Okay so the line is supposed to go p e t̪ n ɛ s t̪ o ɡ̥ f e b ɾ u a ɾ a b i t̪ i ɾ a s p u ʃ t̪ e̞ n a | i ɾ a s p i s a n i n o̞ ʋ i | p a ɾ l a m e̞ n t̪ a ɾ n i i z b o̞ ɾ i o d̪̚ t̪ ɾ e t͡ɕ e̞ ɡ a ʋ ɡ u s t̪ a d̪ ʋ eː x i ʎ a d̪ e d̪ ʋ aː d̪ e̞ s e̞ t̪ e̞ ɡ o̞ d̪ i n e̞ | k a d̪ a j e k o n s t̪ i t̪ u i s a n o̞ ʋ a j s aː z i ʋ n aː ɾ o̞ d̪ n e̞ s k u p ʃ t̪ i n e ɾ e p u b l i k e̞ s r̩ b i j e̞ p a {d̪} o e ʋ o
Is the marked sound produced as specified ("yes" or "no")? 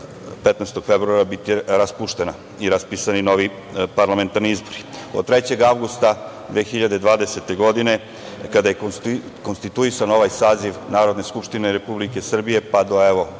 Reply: yes